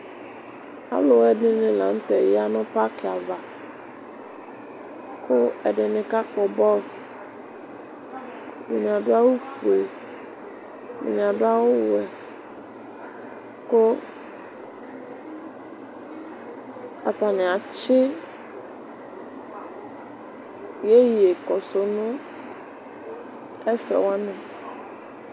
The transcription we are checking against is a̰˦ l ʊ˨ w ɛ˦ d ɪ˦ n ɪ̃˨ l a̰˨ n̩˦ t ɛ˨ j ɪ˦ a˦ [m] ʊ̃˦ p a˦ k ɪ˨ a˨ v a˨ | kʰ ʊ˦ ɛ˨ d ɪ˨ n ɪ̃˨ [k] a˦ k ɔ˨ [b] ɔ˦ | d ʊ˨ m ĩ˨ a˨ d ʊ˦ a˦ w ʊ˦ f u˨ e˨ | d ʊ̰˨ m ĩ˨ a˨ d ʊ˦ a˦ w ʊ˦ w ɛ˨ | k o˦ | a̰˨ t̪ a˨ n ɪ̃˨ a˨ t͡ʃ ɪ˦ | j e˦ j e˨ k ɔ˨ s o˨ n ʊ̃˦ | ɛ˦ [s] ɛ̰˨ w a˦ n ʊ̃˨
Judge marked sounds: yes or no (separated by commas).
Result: no, yes, yes, no